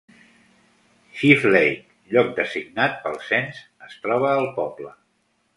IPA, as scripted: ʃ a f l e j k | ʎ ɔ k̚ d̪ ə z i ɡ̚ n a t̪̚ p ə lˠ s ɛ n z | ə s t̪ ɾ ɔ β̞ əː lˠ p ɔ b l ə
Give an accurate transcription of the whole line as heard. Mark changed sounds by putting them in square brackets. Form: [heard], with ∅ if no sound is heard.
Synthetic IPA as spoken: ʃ [i] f l e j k | ʎ ɔ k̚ d̪ ə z i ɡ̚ n a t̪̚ p ə lˠ s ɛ n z | ə s t̪ ɾ ɔ β̞ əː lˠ p ɔ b l ə